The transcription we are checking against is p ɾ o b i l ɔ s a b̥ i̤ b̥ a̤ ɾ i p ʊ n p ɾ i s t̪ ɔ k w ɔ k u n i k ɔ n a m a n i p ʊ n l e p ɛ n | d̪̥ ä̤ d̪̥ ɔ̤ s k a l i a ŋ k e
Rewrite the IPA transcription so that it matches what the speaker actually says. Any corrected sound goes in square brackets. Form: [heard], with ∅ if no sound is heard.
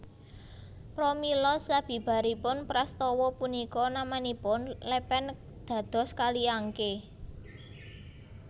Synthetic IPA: p ɾ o [m] i l ɔ s a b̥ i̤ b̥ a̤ ɾ i p ʊ n p ɾ [a] s t̪ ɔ [∅] w ɔ [p] u n i k ɔ n a m a n i p ʊ n l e p ɛ n | d̪̥ ä̤ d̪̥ ɔ̤ s k a l i a ŋ k e